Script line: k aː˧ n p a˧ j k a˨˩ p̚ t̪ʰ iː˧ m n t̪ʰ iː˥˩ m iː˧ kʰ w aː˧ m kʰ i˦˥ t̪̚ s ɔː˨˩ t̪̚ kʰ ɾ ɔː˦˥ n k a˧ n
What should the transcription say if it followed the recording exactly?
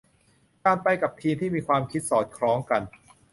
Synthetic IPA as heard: k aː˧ n p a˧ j k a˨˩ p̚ t̪ʰ iː˧ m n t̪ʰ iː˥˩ m iː˧ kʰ w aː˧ m kʰ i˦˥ t̪̚ s ɔː˨˩ t̪̚ kʰ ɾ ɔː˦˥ ŋ k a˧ n